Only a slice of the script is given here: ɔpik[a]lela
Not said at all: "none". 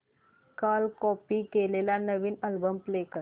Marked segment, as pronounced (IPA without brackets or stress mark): e